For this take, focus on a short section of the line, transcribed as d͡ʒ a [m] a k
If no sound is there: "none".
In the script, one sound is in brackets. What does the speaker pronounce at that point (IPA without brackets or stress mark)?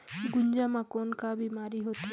m